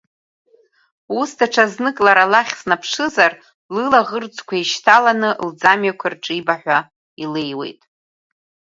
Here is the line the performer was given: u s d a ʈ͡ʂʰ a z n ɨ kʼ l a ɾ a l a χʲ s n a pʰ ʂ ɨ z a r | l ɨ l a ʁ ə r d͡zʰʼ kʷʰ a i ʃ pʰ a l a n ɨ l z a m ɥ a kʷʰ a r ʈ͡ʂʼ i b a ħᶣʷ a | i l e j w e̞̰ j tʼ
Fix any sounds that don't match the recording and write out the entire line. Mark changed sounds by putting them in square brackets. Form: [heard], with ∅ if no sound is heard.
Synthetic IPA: u s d a ʈ͡ʂʰ a z n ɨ kʼ l a ɾ a l a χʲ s n a pʰ ʂ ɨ z a r | l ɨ l a ʁ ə r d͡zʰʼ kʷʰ a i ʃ [tʰ] a l a n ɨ l [d͡z] a m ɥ a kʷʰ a r ʈ͡ʂʼ i b a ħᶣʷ a | i l e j w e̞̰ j tʼ